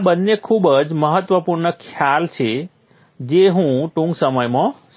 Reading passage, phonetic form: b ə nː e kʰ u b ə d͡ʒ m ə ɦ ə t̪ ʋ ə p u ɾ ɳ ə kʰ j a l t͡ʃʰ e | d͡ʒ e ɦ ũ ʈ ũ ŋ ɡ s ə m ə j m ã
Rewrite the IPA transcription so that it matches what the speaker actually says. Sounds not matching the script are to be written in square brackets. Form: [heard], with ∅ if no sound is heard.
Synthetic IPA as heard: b ə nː e kʰ u b ə d͡ʒ m ə ɦ ə t̪ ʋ ə p u ɾ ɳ ə kʰ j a l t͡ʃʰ e | d͡ʒ e ɦ ũ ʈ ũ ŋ ɡ s ə m ə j m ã